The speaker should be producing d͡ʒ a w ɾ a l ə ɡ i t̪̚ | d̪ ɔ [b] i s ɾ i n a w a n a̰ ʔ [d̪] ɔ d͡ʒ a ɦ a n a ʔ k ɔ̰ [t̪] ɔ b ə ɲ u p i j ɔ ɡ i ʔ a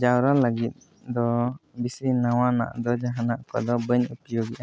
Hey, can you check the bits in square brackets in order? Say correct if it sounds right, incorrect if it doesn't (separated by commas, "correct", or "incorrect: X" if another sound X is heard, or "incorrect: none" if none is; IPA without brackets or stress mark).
correct, correct, incorrect: d̪